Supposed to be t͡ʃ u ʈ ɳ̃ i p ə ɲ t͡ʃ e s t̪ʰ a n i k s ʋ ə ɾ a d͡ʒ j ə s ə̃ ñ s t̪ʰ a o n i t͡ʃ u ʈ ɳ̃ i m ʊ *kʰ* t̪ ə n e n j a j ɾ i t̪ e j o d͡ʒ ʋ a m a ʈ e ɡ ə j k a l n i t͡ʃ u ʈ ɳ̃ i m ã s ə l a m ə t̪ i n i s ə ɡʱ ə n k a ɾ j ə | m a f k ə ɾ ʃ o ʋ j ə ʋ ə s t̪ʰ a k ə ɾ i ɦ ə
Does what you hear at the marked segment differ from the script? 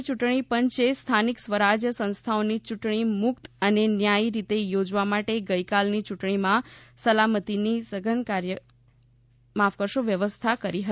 yes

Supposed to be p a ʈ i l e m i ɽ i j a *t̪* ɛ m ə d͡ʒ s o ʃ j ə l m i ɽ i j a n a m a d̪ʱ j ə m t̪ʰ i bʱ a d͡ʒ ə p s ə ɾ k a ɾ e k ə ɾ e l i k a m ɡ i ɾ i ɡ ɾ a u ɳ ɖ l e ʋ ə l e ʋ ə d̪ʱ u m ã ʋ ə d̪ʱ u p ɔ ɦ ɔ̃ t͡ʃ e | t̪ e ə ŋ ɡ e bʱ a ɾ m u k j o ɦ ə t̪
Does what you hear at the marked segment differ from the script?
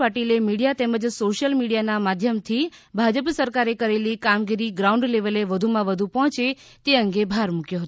no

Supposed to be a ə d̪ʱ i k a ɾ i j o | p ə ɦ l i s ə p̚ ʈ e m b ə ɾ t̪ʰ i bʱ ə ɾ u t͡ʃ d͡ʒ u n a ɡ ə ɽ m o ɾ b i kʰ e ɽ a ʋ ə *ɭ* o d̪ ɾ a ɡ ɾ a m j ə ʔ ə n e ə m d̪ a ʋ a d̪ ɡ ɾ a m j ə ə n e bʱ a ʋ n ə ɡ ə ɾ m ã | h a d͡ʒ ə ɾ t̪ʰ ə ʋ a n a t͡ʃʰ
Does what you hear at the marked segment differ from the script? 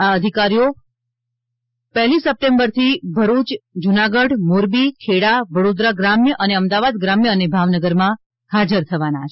yes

